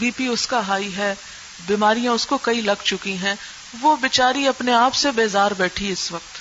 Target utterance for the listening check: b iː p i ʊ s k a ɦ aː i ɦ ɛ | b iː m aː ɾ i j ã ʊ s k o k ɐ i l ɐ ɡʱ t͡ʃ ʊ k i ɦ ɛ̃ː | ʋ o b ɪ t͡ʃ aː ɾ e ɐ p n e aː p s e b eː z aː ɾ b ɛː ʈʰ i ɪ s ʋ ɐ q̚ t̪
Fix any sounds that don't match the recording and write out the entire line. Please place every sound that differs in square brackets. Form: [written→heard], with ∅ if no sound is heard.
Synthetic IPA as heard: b iː p i ʊ s k a ɦ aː i ɦ ɛ | b iː m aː ɾ i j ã ʊ s k o k ɐ i l ɐ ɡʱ t͡ʃ ʊ k i ɦ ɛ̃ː | ʋ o b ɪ t͡ʃ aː ɾ [e→i] ɐ p n e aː p s e b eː z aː ɾ b ɛː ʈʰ i ɪ s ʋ ɐ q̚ t̪